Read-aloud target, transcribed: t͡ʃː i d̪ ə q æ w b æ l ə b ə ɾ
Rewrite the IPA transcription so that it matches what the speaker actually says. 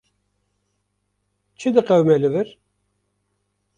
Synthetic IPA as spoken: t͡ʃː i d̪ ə q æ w m æ l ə v ə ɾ